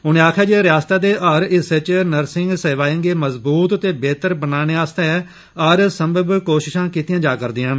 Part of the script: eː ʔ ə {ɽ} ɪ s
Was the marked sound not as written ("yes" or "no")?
yes